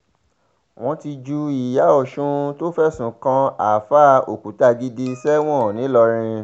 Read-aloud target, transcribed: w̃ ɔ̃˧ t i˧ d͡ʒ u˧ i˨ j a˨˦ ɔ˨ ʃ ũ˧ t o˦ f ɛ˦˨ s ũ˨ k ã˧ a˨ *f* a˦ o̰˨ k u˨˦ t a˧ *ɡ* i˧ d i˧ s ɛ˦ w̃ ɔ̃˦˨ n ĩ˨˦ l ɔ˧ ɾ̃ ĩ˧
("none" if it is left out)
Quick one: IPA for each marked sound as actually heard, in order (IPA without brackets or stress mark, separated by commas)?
f, ɡ